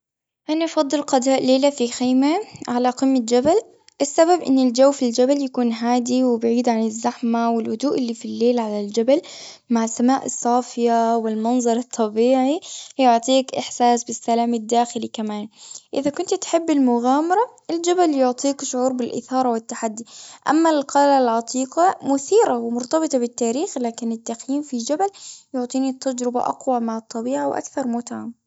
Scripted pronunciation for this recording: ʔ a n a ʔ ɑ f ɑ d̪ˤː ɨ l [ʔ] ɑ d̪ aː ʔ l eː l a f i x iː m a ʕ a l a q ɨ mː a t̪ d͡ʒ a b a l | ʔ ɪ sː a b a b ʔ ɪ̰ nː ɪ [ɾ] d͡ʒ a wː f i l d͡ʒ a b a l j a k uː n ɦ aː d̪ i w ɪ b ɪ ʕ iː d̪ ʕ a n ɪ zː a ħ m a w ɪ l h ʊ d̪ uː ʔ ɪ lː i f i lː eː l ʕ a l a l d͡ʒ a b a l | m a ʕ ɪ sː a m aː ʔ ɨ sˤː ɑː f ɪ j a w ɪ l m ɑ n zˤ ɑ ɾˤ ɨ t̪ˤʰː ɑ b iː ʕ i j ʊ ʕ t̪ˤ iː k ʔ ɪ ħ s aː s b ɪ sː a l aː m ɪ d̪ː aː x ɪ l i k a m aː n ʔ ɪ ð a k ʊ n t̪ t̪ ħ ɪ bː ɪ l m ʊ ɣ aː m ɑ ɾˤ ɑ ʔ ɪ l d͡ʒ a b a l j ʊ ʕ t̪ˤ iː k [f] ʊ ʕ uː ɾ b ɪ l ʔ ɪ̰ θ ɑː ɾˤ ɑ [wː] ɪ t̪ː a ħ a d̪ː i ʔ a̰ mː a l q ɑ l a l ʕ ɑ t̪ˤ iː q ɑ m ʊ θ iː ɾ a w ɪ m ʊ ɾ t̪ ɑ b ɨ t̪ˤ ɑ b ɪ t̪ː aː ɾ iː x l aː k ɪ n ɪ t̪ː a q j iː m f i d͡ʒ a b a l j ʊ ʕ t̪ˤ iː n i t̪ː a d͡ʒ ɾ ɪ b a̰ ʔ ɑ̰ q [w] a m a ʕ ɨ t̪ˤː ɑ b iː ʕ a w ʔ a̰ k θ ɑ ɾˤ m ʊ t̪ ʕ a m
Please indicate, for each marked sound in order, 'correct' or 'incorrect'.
incorrect: q, incorrect: l, incorrect: ʃ, incorrect: w, correct

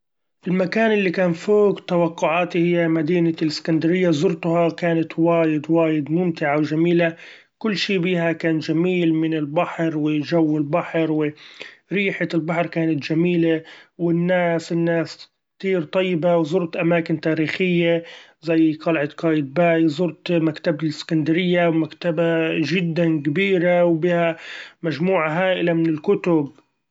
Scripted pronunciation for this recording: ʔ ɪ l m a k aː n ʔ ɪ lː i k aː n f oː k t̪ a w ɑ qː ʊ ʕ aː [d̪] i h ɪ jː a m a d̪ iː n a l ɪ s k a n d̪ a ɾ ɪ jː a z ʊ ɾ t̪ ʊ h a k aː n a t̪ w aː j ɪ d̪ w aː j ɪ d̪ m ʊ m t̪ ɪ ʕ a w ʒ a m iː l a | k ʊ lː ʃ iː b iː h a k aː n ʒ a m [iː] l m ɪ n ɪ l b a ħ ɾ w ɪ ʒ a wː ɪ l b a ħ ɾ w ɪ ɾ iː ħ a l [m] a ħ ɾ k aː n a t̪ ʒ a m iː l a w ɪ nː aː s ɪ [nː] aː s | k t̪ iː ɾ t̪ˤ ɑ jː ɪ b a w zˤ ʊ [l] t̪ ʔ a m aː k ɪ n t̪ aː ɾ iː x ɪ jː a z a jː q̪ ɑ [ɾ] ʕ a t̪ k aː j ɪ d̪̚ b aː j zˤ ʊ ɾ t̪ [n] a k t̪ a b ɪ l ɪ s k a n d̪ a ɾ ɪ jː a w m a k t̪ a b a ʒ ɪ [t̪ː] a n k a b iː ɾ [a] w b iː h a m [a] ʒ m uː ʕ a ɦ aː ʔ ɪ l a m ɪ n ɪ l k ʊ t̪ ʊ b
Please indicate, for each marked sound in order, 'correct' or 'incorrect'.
incorrect: t̪, correct, incorrect: b, correct, incorrect: ɾ, incorrect: l, incorrect: m, incorrect: d̪ː, correct, correct

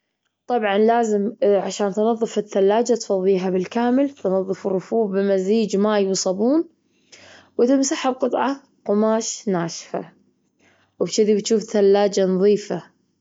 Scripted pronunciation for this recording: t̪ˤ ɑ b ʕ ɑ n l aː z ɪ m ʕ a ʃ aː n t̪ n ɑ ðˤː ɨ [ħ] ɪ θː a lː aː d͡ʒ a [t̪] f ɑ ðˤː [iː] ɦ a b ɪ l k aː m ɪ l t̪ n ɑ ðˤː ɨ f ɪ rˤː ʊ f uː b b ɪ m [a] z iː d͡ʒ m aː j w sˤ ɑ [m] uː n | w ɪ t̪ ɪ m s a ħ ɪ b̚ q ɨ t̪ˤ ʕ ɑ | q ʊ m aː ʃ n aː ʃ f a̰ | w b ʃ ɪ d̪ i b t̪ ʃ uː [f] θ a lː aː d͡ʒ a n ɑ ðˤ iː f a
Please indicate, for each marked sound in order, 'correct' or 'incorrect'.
incorrect: f, correct, correct, correct, incorrect: b, correct

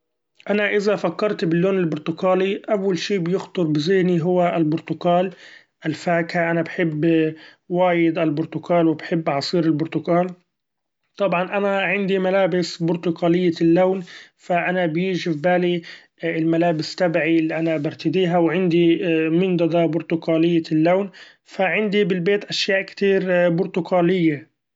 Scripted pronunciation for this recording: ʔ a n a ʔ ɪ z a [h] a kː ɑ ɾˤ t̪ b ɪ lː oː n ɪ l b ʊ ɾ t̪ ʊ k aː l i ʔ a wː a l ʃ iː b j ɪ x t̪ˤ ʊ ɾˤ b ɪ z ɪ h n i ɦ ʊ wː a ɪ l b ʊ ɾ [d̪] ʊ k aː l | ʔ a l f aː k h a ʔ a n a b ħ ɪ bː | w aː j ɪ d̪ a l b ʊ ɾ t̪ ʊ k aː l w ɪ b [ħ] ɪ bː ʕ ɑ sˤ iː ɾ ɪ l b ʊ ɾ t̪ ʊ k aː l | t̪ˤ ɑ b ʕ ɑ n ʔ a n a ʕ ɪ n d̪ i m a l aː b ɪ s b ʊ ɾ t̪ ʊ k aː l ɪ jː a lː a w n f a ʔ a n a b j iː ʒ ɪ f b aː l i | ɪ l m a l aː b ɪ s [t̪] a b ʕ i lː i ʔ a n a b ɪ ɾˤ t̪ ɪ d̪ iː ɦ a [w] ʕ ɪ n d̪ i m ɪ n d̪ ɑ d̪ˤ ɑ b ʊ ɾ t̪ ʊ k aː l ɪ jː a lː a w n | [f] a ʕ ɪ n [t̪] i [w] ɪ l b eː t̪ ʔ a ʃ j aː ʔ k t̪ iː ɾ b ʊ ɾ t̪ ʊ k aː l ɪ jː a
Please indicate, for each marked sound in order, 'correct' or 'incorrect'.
incorrect: f, incorrect: t̪, correct, correct, correct, correct, incorrect: d̪, incorrect: b

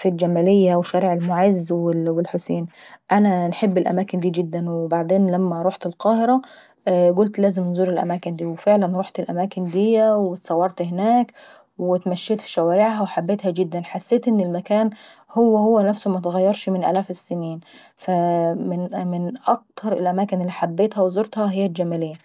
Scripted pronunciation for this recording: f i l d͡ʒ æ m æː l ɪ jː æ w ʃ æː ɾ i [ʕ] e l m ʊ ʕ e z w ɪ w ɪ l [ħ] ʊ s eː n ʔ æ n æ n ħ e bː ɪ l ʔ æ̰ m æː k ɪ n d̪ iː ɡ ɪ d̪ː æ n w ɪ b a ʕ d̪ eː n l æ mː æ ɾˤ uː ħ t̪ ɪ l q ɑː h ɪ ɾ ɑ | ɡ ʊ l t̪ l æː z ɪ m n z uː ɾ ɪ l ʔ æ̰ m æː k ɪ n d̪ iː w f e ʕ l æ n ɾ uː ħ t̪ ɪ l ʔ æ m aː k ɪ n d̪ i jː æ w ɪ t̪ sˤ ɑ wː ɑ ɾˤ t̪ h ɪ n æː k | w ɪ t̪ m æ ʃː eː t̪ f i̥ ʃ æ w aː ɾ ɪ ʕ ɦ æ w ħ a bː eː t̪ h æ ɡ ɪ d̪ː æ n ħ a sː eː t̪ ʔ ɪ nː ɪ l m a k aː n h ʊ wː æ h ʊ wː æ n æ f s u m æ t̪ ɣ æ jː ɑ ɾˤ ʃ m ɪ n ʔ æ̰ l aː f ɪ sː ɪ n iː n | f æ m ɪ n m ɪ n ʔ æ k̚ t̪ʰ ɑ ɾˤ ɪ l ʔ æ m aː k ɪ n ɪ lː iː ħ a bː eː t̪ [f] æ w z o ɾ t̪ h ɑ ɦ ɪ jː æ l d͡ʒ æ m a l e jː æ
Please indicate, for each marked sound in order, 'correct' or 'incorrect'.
correct, correct, incorrect: h

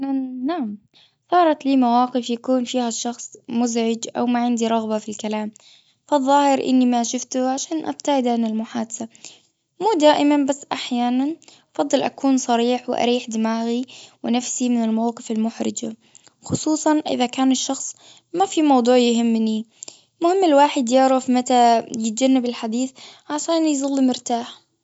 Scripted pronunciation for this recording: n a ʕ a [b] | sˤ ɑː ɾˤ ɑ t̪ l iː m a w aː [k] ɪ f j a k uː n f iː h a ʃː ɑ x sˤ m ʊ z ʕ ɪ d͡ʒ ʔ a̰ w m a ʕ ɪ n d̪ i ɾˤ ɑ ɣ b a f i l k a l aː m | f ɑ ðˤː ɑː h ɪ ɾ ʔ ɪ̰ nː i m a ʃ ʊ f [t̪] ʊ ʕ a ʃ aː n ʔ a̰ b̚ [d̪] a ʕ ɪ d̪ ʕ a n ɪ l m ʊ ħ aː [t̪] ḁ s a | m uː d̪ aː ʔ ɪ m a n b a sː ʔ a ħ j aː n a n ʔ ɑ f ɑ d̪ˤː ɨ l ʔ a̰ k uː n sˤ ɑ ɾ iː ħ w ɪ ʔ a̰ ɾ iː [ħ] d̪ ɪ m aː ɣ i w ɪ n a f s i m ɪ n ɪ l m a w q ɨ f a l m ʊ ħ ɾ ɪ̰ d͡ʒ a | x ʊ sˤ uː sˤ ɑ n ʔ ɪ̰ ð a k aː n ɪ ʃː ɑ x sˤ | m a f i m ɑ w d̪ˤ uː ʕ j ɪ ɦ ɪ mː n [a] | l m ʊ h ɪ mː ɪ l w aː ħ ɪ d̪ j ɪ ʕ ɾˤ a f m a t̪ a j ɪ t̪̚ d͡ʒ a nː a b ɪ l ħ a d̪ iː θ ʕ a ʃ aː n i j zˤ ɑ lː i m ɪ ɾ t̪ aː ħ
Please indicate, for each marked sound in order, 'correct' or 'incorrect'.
incorrect: m, incorrect: q, correct, incorrect: t̪, incorrect: d̪, correct, incorrect: i

